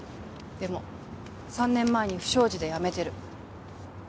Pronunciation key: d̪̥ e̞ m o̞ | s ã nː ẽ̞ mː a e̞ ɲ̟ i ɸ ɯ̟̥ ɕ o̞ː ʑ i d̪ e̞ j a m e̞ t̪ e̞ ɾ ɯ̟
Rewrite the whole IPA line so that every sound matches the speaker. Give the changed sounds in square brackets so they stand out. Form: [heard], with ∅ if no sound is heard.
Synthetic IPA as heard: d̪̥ e̞ m o̞ | s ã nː ẽ̞ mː a e̞ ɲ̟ i ɸ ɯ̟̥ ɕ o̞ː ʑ i d̪ e̞ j a m e̞ t̪ e̞ ɾ ɯ̟